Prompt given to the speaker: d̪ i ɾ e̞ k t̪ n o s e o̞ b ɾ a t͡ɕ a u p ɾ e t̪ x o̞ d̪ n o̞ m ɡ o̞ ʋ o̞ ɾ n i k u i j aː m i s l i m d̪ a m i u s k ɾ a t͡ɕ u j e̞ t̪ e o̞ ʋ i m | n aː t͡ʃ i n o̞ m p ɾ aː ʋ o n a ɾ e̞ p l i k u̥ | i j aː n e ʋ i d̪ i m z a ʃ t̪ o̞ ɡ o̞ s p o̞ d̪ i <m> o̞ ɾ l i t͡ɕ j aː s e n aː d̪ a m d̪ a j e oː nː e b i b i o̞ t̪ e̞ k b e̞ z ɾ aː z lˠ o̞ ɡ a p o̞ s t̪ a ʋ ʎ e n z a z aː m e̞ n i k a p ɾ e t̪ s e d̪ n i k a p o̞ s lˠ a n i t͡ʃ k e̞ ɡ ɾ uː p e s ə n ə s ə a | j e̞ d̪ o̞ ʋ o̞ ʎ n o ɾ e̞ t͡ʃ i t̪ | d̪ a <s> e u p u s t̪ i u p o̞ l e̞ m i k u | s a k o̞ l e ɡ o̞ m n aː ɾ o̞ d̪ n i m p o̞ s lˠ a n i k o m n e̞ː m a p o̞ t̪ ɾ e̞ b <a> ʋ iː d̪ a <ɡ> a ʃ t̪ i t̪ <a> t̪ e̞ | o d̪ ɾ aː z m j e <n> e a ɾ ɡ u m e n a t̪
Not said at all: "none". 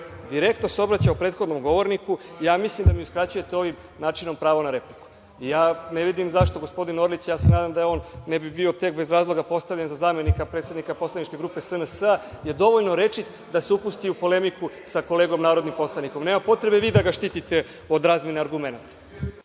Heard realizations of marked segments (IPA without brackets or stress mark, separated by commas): n, s, e, ɡ, i, n